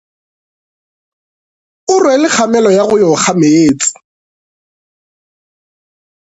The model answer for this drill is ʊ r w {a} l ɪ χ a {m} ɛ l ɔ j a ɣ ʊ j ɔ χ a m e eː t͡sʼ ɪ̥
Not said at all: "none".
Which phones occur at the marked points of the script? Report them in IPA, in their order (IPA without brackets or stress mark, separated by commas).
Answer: ɛ, m